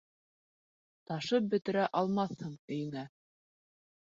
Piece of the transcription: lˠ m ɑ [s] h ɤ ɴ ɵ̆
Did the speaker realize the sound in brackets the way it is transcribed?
no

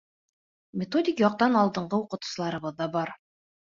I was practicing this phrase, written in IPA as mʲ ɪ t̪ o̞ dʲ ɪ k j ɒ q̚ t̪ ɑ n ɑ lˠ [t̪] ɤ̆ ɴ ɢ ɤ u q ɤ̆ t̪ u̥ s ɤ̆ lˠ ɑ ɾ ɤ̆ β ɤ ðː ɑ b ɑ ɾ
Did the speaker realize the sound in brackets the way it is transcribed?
no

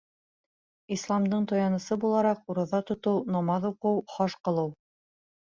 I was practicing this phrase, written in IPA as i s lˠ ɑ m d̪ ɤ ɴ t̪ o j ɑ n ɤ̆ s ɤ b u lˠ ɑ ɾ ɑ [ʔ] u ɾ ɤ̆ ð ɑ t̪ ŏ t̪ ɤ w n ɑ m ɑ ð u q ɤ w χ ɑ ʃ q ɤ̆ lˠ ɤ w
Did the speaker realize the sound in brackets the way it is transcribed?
no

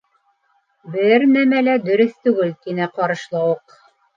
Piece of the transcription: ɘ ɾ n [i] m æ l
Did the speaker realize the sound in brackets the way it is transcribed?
no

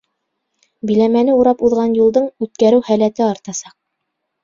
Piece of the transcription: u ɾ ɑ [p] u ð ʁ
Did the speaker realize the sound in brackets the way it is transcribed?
yes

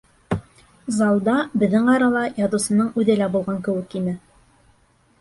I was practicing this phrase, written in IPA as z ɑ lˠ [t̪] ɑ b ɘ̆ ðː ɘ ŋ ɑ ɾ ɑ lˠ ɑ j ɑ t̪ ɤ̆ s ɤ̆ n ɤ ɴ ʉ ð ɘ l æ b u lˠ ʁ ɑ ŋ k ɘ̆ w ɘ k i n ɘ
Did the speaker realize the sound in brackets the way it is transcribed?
no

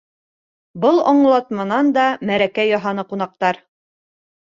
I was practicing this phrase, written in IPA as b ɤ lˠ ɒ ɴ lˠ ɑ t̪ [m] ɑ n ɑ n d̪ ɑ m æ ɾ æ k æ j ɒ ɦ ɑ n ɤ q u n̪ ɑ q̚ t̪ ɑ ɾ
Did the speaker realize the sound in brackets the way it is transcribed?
yes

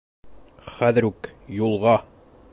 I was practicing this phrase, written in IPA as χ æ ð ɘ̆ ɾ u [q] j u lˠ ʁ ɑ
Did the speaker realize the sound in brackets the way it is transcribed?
no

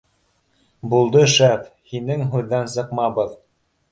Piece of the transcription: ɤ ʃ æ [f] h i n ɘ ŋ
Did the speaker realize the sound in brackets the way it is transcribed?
yes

